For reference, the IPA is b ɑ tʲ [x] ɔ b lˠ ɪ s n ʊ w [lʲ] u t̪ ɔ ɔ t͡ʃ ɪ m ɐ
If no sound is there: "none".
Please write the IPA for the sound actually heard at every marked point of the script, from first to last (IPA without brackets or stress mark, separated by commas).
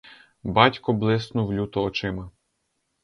k, lʲ